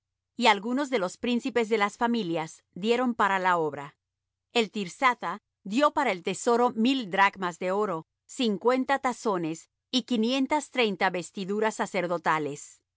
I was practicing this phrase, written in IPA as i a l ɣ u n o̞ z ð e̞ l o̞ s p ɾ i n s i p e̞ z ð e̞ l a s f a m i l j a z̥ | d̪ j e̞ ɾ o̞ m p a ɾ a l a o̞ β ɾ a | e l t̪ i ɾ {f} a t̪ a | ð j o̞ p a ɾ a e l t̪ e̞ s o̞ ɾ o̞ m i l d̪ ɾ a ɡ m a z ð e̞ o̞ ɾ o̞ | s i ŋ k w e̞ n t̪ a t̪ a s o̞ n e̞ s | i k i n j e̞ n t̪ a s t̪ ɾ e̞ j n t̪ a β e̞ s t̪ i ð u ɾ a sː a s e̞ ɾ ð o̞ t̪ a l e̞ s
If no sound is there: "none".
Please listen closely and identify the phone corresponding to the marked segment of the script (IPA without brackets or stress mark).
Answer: s